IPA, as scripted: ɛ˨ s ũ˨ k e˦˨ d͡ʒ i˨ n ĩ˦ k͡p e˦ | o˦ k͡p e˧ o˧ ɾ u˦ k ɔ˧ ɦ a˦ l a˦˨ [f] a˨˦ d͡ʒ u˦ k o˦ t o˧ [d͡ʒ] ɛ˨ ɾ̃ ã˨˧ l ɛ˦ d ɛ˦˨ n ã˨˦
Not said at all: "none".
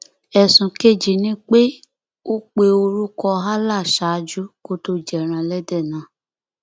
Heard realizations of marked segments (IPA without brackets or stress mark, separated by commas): ʃ, d͡ʒ